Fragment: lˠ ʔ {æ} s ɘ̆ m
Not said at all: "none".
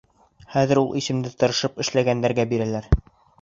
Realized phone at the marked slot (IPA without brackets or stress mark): i